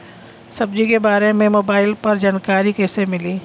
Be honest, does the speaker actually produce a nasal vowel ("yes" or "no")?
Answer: yes